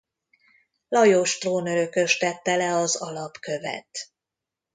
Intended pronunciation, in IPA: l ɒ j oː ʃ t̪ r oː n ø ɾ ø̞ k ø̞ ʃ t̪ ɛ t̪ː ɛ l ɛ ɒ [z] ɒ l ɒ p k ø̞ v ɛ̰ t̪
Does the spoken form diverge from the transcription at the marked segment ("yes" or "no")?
no